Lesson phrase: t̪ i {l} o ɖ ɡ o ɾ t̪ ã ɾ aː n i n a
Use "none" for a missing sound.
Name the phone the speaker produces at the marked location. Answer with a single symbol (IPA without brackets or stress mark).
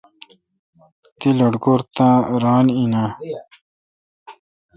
l